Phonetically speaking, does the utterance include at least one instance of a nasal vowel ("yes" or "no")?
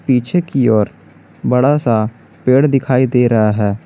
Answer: no